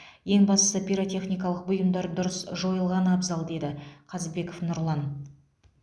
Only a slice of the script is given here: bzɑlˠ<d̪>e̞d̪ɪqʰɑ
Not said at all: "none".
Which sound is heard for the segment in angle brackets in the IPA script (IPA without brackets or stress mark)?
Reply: d̪